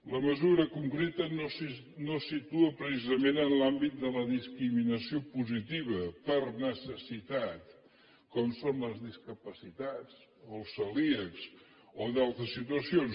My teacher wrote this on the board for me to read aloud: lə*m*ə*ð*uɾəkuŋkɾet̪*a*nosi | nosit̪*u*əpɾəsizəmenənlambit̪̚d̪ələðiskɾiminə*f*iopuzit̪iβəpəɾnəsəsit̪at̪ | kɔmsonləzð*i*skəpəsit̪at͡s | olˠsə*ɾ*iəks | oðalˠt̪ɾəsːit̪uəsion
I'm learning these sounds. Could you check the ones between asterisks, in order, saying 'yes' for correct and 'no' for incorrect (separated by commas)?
yes, no, no, yes, no, yes, no